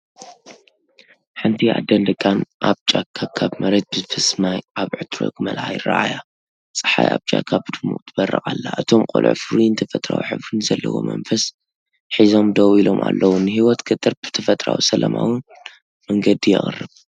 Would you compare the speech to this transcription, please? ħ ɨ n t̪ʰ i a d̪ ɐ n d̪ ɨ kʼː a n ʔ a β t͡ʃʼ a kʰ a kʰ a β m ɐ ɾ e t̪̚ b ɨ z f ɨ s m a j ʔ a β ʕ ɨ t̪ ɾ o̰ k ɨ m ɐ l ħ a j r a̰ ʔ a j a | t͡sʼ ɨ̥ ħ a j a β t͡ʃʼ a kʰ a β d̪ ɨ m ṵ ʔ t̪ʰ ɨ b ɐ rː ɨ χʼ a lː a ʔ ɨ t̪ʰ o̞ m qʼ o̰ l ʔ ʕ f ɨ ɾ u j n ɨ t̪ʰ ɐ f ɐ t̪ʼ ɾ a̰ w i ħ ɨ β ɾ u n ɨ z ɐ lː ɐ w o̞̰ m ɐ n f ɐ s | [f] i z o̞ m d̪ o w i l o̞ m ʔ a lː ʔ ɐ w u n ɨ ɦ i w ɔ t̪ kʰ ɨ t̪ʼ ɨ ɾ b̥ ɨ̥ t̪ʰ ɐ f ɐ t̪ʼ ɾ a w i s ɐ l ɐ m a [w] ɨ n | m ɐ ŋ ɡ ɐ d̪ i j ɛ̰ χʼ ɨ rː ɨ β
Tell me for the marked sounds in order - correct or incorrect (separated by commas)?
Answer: incorrect, correct